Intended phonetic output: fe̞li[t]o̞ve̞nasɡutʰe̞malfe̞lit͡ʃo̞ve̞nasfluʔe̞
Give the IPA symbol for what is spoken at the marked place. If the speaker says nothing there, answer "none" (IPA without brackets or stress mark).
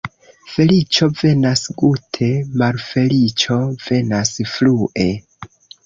t͡ʃ